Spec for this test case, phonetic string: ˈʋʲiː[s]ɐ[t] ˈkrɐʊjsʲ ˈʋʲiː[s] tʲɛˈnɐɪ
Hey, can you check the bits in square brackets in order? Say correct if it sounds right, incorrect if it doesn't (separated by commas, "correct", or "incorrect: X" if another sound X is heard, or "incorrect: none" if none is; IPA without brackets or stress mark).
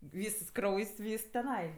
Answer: correct, incorrect: s, correct